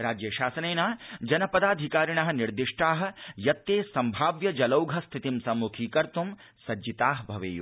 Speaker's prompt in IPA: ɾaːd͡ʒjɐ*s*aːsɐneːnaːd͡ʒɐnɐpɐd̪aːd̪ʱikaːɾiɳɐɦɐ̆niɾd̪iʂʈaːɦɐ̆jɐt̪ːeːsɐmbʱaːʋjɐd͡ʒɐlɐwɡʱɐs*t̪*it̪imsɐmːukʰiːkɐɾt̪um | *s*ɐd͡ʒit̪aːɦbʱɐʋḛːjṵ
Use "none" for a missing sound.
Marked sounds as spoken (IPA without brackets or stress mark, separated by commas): ʃ, t̪ʰ, s